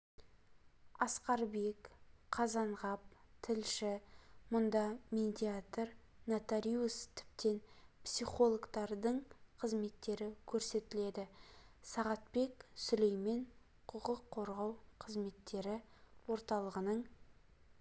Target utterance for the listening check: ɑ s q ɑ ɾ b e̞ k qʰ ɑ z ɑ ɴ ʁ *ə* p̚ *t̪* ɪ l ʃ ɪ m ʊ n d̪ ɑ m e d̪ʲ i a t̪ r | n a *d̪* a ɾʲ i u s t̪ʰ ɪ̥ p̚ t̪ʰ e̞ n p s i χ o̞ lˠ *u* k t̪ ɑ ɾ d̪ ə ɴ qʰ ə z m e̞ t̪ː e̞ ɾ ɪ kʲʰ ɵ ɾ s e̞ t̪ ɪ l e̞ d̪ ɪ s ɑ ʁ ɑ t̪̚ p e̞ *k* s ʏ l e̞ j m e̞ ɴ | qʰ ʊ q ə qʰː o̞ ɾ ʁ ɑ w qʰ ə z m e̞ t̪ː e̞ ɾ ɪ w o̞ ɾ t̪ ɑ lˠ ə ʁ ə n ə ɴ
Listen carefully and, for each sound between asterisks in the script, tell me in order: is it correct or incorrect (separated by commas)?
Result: incorrect, incorrect, incorrect, incorrect, correct